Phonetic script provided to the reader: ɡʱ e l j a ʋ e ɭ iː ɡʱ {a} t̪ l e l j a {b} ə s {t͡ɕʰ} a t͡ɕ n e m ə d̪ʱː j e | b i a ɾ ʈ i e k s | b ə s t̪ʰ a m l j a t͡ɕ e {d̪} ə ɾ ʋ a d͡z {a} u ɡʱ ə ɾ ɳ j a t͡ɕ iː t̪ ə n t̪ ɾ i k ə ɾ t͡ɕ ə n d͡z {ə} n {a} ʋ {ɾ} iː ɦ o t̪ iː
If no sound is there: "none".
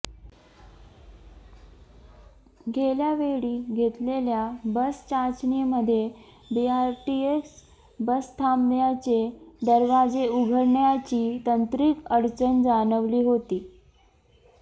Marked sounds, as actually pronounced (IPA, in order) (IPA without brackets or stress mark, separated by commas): e, b, t͡ɕ, d̪, e, a, ə, l